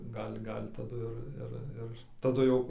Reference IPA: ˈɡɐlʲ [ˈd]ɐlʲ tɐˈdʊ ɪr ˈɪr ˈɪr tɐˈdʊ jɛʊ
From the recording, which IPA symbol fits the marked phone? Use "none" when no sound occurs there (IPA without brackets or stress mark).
ɡ